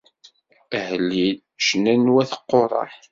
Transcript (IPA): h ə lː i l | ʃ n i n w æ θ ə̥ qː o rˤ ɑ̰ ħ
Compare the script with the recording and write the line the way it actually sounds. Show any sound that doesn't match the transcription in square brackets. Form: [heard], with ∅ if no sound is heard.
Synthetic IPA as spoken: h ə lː i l | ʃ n [æ] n w æ θ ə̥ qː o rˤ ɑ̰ ħ